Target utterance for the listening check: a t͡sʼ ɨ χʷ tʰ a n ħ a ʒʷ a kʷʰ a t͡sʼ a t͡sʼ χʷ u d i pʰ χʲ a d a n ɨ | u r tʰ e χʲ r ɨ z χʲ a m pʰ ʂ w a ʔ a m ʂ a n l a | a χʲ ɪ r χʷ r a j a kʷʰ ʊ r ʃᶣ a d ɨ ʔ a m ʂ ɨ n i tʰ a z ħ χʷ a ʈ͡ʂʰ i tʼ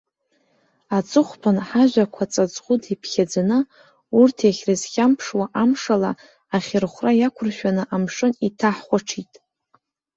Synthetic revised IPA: a t͡sʼ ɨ χʷ pʰ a n ħ a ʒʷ a kʷʰ a t͡sʼ a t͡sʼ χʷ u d i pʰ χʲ a d͡z a n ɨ | u r tʰ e χʲ r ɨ z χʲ a m pʰ ʂ w a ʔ a m ʂ a l a | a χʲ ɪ r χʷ r a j a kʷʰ ʊ r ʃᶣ a n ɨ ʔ a m ʂ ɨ n i tʰ a ħ χʷ a ʈ͡ʂʰ i tʼ